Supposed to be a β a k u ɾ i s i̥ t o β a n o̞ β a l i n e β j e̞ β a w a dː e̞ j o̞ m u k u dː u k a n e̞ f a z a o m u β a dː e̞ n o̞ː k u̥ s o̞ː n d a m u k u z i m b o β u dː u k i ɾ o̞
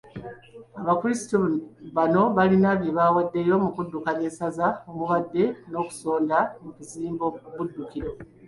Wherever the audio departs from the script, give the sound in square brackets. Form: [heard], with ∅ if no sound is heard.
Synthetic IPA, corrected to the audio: a β a k u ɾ i s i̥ t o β a n o̞ β a l i n [a] β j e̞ β a w a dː e̞ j o̞ m u k u dː u k a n e̞ [s] a z a o m u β a dː e̞ n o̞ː k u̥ s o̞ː n d a m u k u z [iː] m b o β u dː u k i ɾ o̞